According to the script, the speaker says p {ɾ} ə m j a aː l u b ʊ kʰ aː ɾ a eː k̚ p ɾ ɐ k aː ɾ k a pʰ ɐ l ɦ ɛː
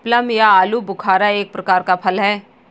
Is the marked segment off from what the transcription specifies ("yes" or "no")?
yes